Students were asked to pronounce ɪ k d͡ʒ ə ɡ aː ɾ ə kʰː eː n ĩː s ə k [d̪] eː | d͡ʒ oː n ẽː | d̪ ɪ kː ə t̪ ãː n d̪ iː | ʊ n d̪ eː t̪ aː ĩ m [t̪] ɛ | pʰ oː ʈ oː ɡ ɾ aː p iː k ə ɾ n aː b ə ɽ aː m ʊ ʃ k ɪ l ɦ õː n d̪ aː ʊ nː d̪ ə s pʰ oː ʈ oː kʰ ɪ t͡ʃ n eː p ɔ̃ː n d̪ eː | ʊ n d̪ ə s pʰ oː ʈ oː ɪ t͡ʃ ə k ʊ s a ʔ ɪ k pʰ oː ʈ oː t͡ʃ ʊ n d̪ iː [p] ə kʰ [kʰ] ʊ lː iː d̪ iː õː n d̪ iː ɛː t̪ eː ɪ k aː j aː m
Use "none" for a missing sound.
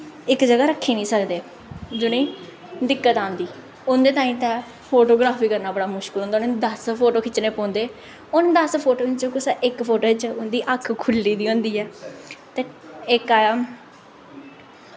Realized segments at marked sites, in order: d̪, t̪, ʔ, kʰ

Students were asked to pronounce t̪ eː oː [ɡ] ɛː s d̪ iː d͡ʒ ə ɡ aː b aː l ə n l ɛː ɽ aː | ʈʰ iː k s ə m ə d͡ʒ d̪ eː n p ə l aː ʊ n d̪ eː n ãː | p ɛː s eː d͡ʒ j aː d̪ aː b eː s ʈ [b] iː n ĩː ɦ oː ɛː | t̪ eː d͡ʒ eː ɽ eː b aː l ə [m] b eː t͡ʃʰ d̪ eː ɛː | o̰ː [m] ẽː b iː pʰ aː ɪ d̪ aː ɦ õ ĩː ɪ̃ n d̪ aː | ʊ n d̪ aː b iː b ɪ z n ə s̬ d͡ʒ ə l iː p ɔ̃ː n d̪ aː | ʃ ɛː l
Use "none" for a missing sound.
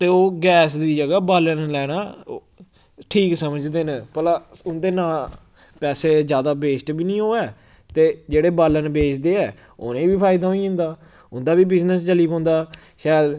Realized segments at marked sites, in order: ɡ, b, n, n

